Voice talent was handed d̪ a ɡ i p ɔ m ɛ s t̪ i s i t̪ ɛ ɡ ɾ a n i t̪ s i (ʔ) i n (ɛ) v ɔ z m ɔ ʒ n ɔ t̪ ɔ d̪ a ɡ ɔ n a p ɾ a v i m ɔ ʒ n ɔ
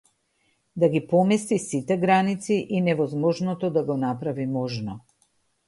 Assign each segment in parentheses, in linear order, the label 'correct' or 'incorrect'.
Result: correct, correct

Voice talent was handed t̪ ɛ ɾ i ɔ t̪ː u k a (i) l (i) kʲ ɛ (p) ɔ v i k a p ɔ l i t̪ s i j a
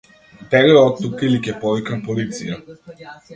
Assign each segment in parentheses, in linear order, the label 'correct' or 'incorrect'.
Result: correct, correct, correct

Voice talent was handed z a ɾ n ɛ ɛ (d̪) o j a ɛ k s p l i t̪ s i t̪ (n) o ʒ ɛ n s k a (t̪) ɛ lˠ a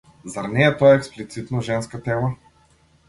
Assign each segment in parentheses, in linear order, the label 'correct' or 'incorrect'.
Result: incorrect: t̪, correct, correct

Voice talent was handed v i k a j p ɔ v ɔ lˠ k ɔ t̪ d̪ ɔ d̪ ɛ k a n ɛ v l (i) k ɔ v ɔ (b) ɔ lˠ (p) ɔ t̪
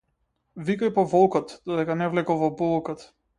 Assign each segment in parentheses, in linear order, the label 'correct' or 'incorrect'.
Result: incorrect: ɛ, correct, incorrect: k

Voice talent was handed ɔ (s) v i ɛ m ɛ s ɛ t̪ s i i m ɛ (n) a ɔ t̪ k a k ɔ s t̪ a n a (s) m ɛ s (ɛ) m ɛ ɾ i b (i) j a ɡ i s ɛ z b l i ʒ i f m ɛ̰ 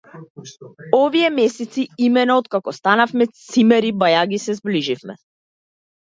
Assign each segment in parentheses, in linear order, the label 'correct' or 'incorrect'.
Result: incorrect: none, correct, incorrect: f, incorrect: i, incorrect: a

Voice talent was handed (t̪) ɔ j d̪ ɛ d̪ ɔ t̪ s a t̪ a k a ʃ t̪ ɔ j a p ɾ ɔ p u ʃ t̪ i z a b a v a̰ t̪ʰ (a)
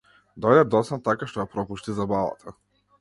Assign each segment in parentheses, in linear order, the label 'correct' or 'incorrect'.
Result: incorrect: d̪, correct

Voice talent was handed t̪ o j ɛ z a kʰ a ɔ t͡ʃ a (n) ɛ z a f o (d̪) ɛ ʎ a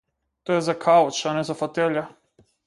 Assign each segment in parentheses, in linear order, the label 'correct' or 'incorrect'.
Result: correct, incorrect: t̪

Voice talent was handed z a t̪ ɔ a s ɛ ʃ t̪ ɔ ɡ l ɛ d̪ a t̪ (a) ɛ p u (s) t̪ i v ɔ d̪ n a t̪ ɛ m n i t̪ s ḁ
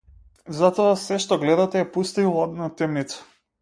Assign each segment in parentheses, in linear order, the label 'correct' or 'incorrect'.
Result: incorrect: ɛ, correct

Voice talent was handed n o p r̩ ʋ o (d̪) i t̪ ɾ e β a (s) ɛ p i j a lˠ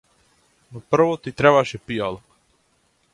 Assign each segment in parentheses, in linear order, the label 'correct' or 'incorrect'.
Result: incorrect: t̪, incorrect: ʃ

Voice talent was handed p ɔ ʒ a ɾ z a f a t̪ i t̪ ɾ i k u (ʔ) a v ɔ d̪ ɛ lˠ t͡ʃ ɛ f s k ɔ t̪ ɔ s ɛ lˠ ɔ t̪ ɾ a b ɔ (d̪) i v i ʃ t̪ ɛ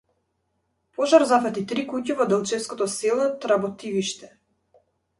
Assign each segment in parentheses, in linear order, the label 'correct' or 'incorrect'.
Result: incorrect: c, incorrect: t̪

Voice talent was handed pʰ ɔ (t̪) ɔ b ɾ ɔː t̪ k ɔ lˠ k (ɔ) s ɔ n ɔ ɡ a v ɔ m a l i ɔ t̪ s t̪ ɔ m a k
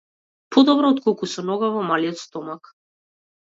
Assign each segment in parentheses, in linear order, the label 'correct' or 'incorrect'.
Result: incorrect: d̪, incorrect: u

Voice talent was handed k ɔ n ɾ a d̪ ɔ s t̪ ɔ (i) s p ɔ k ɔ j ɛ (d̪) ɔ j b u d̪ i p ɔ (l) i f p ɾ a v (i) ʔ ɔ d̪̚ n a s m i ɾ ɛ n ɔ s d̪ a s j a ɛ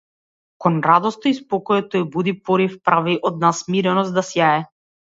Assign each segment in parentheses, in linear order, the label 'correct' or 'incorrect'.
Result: correct, incorrect: t̪, incorrect: ɾ, correct

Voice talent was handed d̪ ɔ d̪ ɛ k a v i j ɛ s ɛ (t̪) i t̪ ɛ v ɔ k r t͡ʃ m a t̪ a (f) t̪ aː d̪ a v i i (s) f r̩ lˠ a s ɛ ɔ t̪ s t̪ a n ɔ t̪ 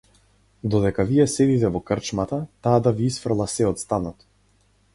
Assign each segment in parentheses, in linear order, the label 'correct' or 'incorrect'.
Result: incorrect: d̪, incorrect: none, correct

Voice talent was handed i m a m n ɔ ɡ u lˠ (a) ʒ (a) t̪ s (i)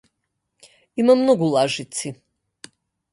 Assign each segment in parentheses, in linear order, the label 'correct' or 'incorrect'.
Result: correct, incorrect: i, correct

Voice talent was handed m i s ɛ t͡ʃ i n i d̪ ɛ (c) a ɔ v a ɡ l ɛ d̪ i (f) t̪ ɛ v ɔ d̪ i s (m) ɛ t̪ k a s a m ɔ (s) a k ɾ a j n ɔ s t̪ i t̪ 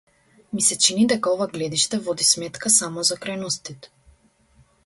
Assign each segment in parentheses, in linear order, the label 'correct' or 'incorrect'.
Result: incorrect: k, incorrect: ʃ, correct, incorrect: z

